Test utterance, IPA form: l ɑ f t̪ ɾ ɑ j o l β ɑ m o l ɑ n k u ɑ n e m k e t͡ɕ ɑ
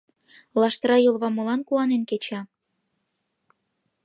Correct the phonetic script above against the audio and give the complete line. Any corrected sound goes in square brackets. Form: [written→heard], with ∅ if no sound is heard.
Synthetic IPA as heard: l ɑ [f→ʃ] t̪ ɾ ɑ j o l β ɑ m o l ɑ n k u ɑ n e [m→n] k e t͡ɕ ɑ